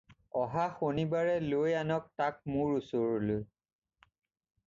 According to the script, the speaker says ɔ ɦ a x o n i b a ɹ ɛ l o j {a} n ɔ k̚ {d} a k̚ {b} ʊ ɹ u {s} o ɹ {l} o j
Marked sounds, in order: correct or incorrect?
correct, incorrect: t, incorrect: m, correct, correct

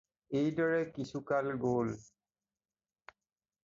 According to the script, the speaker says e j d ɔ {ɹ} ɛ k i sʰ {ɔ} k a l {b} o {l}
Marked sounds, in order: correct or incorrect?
correct, incorrect: u, incorrect: ɡ, correct

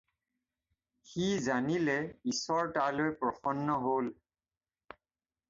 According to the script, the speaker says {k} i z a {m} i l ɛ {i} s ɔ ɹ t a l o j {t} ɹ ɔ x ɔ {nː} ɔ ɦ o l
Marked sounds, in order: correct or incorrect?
incorrect: x, incorrect: n, correct, incorrect: p, correct

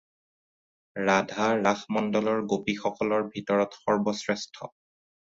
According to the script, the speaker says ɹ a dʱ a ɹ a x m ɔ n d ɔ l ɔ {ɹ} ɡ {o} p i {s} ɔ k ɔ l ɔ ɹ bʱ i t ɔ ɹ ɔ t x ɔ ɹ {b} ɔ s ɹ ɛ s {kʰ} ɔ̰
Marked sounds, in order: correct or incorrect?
correct, correct, incorrect: x, correct, incorrect: tʰ

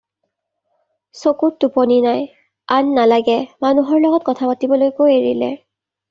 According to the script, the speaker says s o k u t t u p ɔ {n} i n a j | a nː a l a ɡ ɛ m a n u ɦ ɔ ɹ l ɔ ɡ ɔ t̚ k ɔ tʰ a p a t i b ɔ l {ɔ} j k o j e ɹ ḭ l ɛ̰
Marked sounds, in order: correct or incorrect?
correct, incorrect: o

